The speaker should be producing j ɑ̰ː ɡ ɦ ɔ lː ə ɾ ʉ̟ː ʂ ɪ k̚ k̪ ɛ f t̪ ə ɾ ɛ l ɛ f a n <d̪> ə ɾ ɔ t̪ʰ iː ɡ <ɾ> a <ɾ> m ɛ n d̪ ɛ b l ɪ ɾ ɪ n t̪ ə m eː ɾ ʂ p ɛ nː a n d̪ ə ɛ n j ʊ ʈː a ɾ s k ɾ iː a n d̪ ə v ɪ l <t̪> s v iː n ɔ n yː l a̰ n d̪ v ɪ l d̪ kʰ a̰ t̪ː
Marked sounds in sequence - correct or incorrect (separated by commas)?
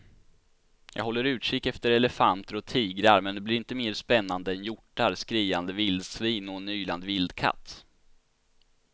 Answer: incorrect, correct, correct, incorrect